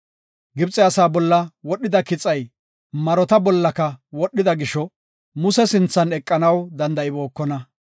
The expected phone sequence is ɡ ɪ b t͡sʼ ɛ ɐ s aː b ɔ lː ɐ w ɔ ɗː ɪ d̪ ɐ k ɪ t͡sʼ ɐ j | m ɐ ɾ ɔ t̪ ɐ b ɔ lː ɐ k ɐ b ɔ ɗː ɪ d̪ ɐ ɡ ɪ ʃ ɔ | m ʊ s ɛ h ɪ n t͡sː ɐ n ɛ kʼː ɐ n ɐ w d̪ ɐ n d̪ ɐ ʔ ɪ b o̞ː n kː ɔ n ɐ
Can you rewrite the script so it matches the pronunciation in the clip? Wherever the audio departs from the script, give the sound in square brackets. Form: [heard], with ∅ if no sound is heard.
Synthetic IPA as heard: ɡ ɪ b t͡sʼ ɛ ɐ s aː b ɔ lː ɐ w ɔ ɗː ɪ d̪ ɐ k ɪ t͡sʼ ɐ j | m ɐ ɾ ɔ t̪ ɐ b ɔ lː ɐ k ɐ [w] ɔ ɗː ɪ d̪ ɐ ɡ ɪ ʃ ɔ | m ʊ s ɛ [s] ɪ n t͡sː ɐ n ɛ kʼː ɐ n ɐ w d̪ ɐ n d̪ ɐ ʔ ɪ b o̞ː [∅] kː ɔ n ɐ